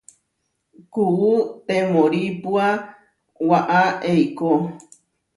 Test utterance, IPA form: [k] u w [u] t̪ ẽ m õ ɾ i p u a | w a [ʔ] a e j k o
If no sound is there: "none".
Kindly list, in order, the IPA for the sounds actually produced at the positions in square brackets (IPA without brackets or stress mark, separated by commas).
k, u, ʔ